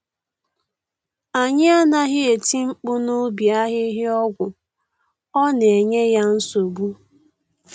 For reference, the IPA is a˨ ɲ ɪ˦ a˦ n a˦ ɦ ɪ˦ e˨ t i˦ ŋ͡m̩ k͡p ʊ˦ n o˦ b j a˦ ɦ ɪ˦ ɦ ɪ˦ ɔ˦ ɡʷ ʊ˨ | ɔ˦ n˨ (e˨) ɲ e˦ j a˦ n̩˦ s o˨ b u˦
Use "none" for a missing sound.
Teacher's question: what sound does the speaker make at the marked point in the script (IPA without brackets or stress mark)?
e˨